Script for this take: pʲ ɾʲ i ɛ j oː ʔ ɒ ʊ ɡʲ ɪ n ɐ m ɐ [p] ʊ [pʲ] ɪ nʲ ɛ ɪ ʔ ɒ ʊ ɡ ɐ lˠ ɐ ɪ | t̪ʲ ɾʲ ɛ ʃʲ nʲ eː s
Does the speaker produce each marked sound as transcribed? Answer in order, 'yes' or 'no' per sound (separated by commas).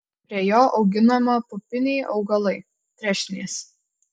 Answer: yes, yes